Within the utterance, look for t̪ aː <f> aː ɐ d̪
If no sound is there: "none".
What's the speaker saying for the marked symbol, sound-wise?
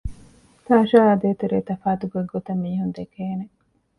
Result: ʃ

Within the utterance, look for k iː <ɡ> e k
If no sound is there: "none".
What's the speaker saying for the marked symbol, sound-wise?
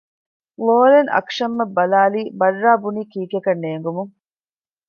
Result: k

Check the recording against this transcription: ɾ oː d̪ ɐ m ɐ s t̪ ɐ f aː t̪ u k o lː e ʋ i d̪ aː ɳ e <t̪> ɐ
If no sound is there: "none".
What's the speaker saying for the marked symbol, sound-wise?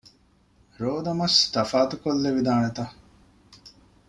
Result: t̪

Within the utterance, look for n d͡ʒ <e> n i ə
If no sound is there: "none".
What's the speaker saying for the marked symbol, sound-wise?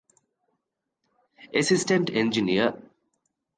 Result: i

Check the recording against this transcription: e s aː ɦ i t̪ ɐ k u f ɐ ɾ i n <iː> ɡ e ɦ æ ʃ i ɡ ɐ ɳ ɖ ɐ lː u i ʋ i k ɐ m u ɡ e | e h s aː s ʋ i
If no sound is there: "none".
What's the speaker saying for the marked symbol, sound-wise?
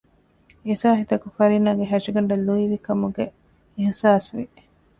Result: aː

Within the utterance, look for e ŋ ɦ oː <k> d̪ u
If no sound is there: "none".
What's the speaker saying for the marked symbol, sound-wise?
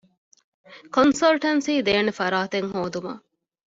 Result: none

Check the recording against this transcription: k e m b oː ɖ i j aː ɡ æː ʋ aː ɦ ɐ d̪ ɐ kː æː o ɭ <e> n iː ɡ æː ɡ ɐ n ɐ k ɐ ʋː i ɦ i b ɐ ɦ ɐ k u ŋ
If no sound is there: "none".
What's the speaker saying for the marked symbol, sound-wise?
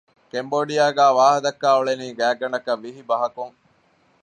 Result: e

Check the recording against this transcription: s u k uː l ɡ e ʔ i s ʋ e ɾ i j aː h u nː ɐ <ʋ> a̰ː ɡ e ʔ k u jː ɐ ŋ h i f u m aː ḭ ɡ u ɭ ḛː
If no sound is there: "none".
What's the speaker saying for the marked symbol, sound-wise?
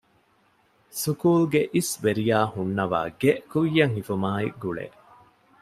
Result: ʋ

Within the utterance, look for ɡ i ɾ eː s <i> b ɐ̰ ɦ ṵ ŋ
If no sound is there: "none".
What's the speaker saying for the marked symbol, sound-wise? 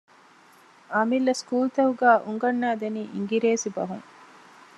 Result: i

